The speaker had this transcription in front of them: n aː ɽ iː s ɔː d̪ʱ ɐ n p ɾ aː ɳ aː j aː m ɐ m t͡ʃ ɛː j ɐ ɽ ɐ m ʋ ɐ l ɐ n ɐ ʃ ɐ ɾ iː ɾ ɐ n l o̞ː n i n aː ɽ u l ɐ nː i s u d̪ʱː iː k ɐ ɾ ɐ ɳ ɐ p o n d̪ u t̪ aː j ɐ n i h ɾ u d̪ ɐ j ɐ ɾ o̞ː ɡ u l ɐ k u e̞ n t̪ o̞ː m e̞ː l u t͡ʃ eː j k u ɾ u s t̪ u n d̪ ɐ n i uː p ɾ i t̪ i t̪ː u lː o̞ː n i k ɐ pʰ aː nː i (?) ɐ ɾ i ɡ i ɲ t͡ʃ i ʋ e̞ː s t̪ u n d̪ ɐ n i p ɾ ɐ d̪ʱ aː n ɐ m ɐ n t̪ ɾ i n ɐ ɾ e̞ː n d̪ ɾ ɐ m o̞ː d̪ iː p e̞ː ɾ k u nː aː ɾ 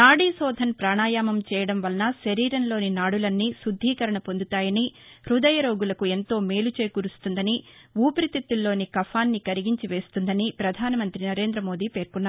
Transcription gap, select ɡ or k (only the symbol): k